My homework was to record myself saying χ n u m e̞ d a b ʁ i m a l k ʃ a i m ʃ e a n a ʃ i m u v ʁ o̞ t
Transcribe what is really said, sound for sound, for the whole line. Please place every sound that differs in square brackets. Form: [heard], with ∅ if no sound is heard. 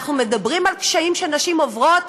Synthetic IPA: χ n u m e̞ d a b ʁ i m a l k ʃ a i m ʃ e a n a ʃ i m [o] v ʁ o̞ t